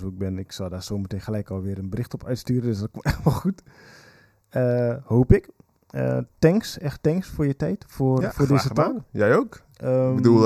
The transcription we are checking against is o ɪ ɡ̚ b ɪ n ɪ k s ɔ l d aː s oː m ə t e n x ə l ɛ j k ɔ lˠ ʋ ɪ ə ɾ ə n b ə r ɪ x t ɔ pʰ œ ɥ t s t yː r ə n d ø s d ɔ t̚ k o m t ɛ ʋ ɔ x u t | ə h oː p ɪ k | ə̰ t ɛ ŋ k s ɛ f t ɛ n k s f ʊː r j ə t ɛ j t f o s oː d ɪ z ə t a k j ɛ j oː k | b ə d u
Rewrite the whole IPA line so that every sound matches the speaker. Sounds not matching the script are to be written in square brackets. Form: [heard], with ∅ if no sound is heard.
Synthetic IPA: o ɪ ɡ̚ b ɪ n ɪ k s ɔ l d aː s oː m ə t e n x ə l ɛ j k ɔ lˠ ʋ ɪ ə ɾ ə n b ə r ɪ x t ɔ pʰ œ ɥ t s t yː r ə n d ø s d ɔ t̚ k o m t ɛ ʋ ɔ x u t | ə h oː p ɪ k | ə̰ t ɛ ŋ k s ɛ [x] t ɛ [ŋ] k s f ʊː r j ə t ɛ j t f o [f] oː d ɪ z ə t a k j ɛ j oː k | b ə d u